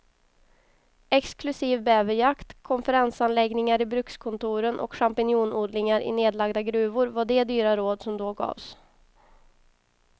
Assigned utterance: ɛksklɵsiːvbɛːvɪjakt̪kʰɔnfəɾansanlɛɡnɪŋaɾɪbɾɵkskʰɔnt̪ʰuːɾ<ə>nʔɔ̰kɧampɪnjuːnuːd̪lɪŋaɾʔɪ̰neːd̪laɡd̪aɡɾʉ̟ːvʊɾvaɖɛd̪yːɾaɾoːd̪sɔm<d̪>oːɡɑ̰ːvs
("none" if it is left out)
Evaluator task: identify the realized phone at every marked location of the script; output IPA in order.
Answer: ə, d̪

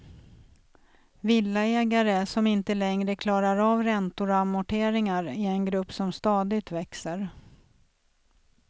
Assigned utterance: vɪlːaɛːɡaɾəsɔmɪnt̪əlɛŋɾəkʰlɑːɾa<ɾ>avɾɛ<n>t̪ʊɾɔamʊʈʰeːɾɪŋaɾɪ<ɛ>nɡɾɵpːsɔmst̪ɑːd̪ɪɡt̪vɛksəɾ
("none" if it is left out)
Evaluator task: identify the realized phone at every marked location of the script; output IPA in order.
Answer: ɾ, n, ɛ

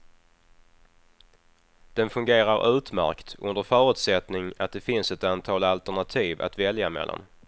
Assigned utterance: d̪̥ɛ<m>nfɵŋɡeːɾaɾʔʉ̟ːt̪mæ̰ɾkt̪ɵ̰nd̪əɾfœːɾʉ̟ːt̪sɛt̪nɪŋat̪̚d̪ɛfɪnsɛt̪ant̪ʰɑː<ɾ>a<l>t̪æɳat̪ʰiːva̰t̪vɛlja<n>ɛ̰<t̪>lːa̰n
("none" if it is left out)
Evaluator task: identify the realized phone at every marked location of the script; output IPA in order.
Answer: none, l, l, m, none

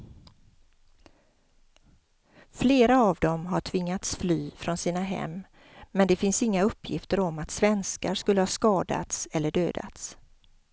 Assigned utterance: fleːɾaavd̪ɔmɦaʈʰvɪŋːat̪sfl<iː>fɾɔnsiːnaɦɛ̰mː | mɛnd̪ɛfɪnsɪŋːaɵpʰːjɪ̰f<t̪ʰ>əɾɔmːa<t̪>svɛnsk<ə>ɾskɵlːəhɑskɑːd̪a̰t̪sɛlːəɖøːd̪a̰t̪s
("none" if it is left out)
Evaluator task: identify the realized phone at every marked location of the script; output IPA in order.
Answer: yː, t̪, t̪, a

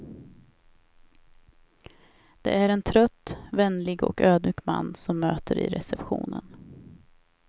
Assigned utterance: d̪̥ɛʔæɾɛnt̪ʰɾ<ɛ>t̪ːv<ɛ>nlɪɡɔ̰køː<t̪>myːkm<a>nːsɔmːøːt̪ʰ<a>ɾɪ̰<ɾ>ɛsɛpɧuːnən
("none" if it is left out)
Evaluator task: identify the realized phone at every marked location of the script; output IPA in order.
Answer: œ, ɛ, d̪, a, ə, ɾ

